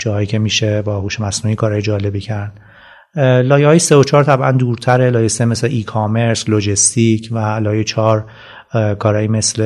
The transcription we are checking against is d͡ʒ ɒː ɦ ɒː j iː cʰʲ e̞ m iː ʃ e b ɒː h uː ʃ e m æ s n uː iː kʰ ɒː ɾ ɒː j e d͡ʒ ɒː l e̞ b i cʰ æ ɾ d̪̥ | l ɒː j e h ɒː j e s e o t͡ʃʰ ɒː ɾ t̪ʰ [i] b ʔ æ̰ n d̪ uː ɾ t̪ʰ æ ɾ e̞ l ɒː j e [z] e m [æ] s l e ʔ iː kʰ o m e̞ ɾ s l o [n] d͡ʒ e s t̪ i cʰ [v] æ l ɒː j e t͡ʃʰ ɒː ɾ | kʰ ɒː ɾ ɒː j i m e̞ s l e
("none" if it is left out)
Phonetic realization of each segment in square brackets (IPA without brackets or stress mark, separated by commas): æ, s, e, none, v